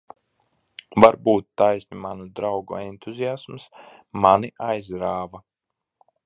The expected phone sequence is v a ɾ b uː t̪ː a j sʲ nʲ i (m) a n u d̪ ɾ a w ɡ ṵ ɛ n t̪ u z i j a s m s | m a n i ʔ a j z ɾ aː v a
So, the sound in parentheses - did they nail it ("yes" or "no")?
yes